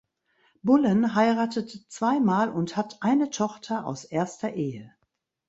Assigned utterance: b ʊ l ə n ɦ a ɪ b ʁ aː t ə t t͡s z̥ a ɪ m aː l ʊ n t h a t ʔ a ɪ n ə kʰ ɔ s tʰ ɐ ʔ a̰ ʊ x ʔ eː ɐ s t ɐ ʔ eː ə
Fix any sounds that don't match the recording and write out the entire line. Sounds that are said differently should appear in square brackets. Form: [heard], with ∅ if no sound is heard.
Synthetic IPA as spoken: b ʊ l ə n ɦ a ɪ [∅] ʁ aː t ə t t͡s [v̥] a ɪ m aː l ʊ n t h a t ʔ a ɪ n ə [tʰ] ɔ [χ] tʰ ɐ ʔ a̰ ʊ [s] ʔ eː ɐ s t ɐ ʔ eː ə